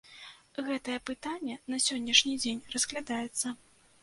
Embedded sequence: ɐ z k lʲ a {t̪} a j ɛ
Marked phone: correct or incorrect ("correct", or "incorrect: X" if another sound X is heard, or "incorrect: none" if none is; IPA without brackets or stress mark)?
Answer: incorrect: d̪